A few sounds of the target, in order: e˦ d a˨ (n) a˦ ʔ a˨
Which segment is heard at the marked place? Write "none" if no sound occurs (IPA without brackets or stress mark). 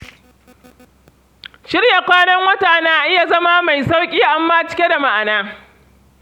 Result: m